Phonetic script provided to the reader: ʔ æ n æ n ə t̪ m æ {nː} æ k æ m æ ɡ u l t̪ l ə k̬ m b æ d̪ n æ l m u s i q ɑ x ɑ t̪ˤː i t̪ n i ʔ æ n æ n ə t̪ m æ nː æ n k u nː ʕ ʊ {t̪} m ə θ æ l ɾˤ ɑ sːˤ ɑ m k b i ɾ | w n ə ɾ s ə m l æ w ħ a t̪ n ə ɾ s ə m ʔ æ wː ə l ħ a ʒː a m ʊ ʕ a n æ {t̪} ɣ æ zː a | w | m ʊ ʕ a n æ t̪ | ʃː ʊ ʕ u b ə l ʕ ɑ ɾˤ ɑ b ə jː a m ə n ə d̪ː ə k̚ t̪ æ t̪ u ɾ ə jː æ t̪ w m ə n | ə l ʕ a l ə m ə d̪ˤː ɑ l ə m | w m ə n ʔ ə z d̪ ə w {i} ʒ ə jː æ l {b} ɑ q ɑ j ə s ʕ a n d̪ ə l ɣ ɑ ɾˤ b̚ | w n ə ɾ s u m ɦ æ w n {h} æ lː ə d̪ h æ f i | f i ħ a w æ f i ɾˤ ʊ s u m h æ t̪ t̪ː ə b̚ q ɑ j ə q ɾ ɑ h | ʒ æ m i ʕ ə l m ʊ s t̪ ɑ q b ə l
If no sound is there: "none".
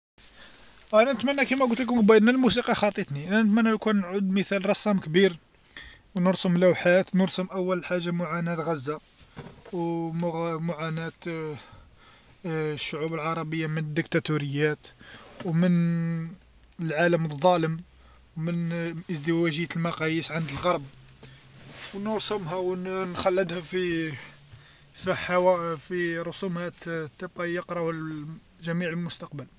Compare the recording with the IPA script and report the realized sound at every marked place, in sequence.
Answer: nː, d̪, t̪, æ, m, x

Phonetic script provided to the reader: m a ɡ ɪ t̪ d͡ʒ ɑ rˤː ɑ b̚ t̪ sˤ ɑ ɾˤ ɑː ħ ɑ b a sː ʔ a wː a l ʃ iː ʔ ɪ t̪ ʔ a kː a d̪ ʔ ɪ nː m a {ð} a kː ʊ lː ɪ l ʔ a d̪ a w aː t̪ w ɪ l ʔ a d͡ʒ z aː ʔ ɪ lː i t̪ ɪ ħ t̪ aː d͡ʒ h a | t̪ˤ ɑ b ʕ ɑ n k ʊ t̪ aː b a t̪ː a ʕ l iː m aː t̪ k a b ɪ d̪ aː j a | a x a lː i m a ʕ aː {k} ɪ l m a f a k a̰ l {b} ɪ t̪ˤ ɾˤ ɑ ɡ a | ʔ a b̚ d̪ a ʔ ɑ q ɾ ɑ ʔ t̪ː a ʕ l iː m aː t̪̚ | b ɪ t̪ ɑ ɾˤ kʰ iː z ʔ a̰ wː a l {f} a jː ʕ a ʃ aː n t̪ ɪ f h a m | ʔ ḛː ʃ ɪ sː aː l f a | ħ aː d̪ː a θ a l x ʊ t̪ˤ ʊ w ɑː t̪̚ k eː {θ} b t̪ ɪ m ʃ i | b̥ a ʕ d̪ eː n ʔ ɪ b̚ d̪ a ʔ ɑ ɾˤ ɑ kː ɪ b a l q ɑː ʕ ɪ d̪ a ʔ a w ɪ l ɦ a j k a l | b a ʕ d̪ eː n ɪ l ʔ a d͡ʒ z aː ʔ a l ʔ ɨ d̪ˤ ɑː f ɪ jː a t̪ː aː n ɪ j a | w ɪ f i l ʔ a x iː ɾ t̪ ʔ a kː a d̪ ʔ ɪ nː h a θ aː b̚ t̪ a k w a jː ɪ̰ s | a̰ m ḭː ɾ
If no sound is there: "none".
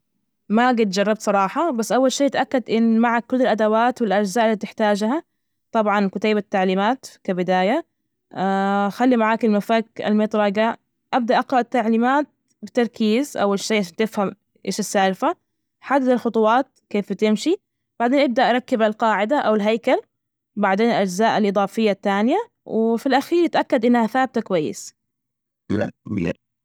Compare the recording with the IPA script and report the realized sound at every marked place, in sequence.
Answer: ʕ, k, m, ʃ, f

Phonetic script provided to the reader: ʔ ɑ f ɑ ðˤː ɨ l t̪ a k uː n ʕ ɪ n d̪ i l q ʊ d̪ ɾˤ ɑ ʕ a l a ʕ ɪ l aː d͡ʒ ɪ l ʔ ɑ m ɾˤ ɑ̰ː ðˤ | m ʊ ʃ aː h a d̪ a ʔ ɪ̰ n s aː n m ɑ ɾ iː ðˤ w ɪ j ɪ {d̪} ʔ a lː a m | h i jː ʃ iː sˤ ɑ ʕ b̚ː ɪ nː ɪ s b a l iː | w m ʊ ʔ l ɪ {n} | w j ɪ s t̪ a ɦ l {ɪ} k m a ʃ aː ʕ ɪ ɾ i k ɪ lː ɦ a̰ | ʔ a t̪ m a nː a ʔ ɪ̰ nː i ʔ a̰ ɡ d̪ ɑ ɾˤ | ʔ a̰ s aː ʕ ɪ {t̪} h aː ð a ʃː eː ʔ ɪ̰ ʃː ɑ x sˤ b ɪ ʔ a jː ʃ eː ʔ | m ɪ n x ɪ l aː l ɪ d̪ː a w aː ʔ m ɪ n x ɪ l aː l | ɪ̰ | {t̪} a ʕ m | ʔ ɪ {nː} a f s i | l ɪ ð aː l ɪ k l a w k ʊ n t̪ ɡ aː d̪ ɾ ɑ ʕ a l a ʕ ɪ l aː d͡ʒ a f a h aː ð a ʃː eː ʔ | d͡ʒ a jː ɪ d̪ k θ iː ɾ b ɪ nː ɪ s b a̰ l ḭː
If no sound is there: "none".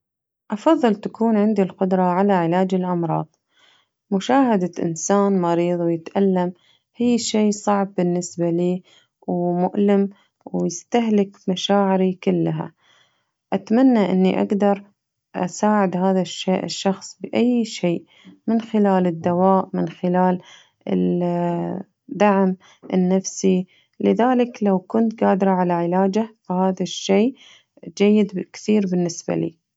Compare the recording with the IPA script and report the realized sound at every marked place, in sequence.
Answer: t̪, m, ɪ, d̪, d̪, nː

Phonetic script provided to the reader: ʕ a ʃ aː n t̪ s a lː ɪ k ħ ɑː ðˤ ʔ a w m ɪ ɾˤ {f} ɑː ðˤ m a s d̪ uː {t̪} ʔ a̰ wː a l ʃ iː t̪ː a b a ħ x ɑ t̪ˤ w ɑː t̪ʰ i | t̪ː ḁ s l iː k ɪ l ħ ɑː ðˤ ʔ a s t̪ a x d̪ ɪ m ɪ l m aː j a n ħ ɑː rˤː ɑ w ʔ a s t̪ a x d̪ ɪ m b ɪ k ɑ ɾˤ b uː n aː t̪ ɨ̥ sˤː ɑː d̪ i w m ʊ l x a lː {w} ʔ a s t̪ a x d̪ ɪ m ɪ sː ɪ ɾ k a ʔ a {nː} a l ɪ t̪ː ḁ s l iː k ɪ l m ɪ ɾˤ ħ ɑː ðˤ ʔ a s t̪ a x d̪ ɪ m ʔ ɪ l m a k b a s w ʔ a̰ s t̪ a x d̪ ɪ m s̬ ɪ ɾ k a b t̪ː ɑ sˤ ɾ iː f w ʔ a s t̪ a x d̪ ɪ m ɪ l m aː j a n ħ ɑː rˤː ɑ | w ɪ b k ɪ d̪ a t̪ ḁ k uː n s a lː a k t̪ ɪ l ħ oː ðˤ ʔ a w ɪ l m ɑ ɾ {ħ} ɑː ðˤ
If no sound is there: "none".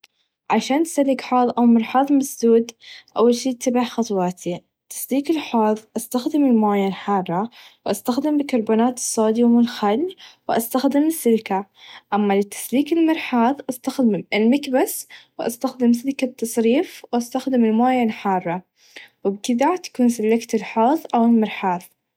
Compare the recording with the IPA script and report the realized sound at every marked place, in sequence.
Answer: ħ, d̪, w, mː, ħ

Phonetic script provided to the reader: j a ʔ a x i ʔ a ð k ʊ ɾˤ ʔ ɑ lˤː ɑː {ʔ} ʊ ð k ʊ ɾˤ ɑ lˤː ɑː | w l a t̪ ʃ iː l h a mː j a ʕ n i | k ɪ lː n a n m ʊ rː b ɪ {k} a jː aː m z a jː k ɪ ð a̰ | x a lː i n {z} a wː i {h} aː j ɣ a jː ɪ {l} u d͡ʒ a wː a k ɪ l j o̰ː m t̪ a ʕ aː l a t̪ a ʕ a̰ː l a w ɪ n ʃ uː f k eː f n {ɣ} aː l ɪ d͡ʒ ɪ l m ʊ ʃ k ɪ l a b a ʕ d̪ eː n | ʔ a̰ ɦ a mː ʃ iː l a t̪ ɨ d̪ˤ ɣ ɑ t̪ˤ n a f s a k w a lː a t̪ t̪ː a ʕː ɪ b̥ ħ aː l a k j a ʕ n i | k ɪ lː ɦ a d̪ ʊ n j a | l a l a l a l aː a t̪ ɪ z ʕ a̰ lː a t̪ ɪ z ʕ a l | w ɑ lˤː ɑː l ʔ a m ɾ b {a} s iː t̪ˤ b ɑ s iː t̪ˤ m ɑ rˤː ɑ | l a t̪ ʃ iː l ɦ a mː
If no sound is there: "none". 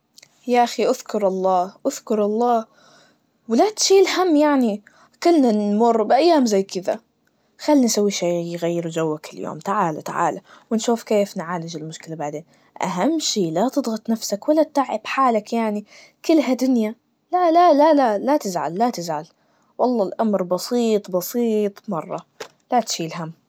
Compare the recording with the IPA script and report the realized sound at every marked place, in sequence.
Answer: ʔ, ʔ, s, ʃ, ɾ, ʕ, ɑ

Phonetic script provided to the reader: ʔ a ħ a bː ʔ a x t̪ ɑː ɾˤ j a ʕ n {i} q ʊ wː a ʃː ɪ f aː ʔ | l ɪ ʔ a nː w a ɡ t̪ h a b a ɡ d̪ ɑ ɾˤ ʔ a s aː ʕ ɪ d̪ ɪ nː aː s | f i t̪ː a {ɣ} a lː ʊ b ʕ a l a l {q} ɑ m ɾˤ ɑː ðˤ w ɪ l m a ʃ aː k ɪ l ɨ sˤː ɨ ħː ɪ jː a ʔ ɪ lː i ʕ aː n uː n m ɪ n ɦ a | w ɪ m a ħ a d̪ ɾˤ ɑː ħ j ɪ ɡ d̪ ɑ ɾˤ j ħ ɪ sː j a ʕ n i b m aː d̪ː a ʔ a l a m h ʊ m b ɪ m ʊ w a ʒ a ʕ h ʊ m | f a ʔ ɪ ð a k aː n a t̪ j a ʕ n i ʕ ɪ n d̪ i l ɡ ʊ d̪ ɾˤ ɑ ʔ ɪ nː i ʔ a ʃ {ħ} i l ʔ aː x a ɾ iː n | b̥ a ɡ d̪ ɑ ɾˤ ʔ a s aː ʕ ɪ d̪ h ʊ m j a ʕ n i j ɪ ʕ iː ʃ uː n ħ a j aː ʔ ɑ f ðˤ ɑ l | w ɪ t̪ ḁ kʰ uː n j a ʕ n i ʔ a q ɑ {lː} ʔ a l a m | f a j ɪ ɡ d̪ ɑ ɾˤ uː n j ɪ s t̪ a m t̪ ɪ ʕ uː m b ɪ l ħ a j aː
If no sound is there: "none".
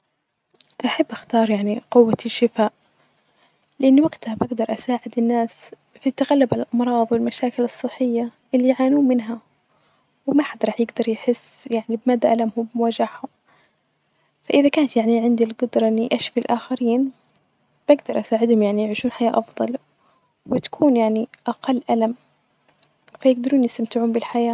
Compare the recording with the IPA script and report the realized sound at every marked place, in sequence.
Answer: i, ɣ, ʔ, f, lː

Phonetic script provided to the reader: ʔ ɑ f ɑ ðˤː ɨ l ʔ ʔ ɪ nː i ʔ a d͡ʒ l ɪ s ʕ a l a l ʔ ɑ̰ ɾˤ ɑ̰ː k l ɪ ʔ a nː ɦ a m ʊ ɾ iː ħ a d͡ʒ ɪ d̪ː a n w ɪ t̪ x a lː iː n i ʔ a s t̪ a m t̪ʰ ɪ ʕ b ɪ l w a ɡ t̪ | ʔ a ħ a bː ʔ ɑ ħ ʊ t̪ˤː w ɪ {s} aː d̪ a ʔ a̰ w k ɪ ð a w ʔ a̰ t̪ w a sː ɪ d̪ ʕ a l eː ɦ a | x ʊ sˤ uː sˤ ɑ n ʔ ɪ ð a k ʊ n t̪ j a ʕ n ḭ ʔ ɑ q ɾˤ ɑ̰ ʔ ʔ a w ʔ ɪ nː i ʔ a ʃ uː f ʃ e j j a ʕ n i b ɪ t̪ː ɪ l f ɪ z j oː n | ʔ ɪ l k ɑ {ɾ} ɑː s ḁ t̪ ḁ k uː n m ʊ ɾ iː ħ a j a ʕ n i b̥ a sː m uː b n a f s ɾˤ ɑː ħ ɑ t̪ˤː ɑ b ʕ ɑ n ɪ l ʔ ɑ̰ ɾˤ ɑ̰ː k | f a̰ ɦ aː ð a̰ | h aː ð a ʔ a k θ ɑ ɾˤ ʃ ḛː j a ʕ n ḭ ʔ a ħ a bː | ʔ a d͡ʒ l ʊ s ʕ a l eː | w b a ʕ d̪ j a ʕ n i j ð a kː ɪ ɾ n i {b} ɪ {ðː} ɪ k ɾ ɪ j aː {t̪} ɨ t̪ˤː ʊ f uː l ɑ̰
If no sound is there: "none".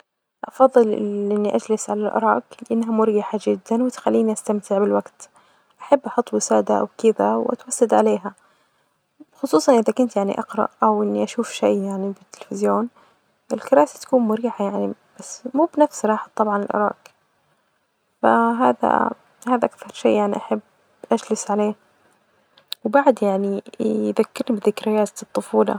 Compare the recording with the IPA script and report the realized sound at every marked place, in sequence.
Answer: s, ɾ, b, ð, t̪

